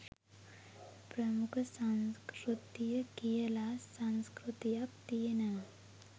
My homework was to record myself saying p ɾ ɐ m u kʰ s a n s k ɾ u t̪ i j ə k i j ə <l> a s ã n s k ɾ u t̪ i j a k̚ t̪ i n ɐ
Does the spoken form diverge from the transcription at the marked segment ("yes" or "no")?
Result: no